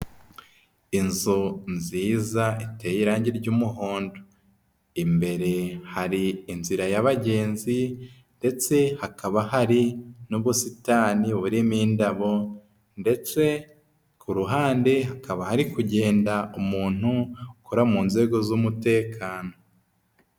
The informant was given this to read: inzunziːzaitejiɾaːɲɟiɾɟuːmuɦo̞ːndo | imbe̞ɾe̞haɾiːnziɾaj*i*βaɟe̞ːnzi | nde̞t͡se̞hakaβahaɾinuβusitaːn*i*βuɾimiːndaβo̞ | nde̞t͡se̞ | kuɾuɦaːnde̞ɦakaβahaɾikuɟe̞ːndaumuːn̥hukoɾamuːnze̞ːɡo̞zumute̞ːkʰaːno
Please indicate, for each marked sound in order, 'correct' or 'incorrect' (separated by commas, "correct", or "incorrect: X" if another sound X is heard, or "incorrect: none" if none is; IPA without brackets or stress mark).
incorrect: a, correct